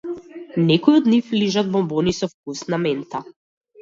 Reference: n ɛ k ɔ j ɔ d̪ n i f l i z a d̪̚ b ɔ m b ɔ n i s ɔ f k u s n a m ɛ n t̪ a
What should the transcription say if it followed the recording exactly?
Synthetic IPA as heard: n ɛ k ɔ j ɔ d̪ n i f l i ʒ a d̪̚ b ɔ m b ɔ n i s ɔ f k u s n a m ɛ n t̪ a